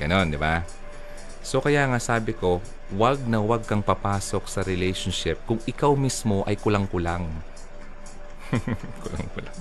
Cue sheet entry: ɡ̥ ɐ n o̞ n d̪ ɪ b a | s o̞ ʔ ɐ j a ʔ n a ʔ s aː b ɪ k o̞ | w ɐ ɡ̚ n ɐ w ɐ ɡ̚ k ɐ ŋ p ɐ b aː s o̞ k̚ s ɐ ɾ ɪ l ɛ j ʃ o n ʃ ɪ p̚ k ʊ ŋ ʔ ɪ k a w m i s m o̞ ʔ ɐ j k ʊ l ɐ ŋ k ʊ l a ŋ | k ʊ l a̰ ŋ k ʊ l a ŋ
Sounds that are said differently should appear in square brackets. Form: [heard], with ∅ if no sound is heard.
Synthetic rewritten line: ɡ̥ ɐ n o̞ n d̪ ɪ b a | s o̞ [k] ɐ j a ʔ [ŋ] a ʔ s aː b ɪ k o̞ | w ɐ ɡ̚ n ɐ w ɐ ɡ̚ k ɐ ŋ p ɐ [p] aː s o̞ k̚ s ɐ ɾ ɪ l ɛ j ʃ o n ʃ ɪ p̚ k ʊ ŋ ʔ ɪ k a w m i s m o̞ ʔ ɐ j k ʊ l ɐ ŋ k ʊ l a ŋ | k ʊ l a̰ ŋ k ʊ l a ŋ